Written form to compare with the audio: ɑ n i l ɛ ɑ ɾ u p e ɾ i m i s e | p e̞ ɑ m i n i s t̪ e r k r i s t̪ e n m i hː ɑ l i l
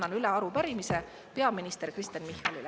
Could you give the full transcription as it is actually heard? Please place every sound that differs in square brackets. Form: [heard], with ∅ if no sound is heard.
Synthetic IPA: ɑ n [y] l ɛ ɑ ɾ u p [æ] ɾ i m i s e | p e̞ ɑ m i n i s t̪ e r k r i s t̪ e n m i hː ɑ l i l